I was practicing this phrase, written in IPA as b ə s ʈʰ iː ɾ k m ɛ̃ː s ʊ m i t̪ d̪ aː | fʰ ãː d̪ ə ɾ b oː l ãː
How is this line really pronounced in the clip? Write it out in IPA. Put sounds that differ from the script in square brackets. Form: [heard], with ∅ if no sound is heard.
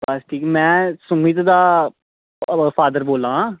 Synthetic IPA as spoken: b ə s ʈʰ iː [∅] k m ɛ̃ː s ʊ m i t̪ d̪ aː | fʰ [aː] d̪ ə ɾ b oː l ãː